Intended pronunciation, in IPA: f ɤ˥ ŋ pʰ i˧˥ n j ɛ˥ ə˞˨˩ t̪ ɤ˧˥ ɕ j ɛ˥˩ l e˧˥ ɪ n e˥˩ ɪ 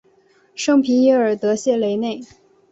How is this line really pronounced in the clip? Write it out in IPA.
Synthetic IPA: ʂ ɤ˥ ŋ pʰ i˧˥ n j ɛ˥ ə˞˨˩ t̪ ɤ˧˥ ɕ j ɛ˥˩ l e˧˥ ɪ n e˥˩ ɪ